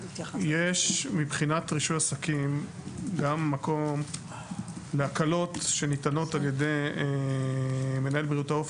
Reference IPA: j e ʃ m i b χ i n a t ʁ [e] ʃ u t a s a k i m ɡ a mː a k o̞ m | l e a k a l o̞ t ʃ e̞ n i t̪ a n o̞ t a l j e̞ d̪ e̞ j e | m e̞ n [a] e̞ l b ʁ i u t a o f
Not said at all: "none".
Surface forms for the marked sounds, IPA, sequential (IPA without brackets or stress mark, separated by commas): i, a